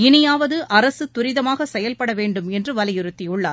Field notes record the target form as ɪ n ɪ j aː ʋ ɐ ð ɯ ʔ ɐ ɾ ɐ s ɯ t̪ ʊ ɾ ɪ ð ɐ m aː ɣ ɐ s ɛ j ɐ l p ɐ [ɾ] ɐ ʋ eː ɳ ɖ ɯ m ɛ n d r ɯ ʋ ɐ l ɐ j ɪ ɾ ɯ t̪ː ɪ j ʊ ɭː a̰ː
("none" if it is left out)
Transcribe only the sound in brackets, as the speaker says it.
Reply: ɽ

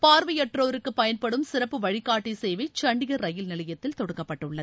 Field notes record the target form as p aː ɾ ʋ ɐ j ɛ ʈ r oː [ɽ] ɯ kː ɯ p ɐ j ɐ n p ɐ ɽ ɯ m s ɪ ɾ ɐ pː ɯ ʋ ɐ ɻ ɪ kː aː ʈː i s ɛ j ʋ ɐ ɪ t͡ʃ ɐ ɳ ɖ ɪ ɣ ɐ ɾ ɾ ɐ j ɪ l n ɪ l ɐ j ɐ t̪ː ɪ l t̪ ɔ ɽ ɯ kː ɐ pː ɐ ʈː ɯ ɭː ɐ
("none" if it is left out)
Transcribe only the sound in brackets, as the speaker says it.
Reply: ɾ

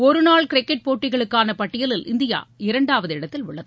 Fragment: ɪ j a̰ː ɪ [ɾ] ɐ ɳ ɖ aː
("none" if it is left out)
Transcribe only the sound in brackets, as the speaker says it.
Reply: ɾ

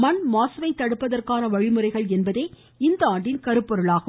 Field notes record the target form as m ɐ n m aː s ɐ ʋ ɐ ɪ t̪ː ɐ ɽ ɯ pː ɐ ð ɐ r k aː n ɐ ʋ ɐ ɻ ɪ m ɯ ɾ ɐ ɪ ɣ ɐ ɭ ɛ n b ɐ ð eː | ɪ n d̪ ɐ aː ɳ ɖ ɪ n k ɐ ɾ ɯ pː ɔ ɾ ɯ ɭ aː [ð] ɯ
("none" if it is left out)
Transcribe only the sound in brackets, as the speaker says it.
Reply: ɣ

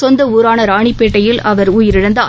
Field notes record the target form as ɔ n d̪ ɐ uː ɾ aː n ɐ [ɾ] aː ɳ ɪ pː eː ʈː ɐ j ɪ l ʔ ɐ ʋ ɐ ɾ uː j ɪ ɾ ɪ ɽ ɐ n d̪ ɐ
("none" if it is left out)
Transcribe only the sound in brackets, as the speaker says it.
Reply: ɾ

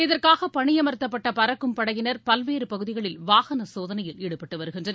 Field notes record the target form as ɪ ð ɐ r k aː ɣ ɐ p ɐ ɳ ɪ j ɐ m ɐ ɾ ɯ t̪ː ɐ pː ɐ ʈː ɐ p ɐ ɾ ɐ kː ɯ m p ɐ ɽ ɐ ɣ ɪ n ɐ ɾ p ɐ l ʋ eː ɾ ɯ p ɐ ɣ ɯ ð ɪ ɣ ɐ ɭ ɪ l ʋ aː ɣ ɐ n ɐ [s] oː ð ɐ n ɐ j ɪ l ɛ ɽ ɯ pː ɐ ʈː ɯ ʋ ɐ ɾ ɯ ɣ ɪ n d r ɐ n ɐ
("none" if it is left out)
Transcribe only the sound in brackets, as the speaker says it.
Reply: s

